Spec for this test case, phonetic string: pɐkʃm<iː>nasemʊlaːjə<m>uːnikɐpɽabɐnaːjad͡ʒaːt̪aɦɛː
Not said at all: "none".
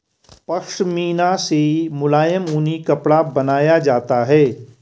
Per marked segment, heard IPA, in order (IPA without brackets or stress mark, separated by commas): iː, m